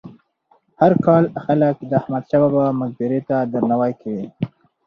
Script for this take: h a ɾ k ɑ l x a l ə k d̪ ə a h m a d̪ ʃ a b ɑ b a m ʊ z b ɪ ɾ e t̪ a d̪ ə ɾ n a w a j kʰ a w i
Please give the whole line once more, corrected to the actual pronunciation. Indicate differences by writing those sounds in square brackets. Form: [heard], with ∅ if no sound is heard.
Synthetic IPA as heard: h a ɾ k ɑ l x a l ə k d̪ ə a h m a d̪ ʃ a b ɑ b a m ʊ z b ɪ ɾ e t̪ a d̪ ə ɾ n a w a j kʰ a w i

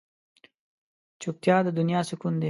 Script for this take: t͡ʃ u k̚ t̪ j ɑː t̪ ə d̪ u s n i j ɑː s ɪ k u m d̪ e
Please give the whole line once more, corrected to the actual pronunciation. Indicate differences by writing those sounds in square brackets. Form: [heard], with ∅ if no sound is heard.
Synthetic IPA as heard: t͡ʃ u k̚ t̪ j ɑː [d̪] ə d̪ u [∅] n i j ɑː s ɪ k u [n] d̪ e

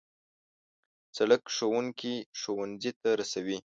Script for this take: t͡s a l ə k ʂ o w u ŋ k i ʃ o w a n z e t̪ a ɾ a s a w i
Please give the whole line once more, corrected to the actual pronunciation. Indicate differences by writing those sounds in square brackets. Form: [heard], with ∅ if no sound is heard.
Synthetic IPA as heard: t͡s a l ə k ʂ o w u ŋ k i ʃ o w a n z [i] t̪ a ɾ a s a w i

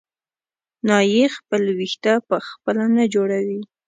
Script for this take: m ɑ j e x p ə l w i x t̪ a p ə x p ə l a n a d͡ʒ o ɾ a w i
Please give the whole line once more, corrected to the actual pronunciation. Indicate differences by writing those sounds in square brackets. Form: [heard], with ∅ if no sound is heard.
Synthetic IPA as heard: [n] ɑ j e x p ə l w i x t̪ a p ə x p ə l a n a d͡ʒ o [ɽ] a w i

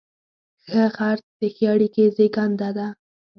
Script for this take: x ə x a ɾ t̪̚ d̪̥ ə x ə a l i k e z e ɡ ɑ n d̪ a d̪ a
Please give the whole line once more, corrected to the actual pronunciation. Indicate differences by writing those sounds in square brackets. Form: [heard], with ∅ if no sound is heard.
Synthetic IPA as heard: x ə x a ɾ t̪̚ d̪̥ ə x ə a [ɽ] i k e z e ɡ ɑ n d̪ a d̪ a

